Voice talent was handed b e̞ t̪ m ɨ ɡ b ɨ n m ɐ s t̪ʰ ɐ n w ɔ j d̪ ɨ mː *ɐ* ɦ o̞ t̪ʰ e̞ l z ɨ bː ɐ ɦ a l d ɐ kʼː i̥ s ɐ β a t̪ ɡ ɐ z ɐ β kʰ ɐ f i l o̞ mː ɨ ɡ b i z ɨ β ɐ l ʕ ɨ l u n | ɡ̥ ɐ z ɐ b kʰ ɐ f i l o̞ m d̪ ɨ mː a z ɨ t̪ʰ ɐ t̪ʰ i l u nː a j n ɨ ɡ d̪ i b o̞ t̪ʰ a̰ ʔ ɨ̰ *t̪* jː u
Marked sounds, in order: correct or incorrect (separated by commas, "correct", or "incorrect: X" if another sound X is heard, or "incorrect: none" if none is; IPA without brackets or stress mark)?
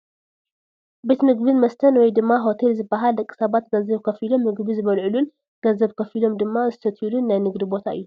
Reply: incorrect: a, incorrect: none